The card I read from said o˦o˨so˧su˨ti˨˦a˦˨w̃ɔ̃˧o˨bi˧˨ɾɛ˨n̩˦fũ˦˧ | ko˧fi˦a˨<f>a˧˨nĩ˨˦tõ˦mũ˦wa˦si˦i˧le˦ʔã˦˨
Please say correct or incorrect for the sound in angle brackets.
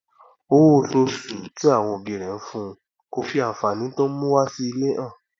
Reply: correct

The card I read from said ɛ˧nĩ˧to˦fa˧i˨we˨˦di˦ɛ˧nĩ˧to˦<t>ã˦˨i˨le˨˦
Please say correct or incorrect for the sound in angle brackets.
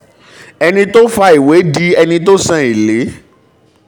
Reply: incorrect: s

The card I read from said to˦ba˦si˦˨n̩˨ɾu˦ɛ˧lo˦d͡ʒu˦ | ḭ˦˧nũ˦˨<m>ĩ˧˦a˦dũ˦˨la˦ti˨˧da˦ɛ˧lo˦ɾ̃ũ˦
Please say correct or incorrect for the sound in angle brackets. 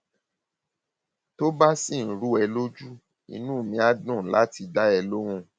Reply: correct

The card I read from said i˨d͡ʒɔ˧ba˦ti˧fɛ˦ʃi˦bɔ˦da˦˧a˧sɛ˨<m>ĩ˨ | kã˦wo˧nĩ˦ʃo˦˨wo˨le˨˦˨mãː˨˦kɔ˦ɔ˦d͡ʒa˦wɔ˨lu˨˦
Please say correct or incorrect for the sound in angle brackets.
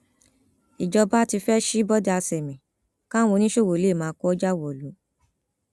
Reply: correct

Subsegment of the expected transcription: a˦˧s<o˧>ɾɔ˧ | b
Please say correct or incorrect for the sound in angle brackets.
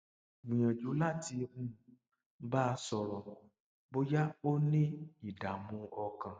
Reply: incorrect: ɔ˧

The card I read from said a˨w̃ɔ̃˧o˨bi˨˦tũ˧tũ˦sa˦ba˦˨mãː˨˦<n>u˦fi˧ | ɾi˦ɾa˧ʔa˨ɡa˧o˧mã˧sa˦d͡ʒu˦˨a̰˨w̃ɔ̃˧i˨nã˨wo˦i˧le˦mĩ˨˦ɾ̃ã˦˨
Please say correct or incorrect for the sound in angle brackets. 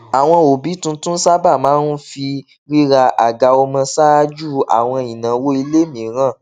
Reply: correct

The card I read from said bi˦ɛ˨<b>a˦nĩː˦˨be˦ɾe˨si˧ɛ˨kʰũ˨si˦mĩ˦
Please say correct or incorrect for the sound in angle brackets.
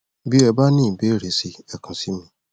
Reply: correct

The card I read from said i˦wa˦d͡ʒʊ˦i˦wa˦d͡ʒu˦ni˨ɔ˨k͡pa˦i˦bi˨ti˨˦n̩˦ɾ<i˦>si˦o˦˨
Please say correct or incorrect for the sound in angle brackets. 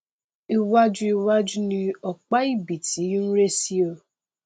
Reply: incorrect: e˦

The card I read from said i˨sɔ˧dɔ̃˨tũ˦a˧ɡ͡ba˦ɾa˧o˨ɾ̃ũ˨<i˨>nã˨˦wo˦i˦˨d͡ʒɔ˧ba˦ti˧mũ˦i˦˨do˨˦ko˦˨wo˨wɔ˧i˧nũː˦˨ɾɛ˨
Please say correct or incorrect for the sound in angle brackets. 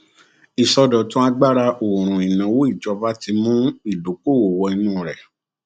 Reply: correct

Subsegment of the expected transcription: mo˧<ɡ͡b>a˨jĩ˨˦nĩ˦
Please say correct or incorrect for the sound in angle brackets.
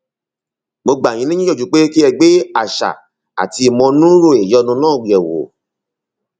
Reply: correct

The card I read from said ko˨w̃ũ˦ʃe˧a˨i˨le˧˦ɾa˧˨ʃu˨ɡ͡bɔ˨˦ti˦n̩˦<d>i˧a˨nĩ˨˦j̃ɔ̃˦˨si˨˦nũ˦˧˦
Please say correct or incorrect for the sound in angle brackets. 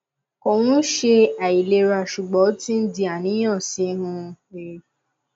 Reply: correct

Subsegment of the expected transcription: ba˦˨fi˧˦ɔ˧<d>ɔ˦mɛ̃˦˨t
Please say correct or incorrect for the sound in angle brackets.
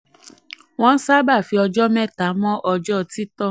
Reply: incorrect: d͡ʒ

